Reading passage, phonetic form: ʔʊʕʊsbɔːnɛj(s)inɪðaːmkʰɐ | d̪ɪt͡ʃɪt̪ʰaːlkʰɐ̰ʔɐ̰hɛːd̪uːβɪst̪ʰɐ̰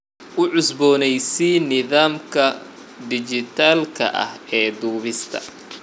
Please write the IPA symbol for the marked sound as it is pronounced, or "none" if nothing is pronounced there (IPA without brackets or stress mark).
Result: s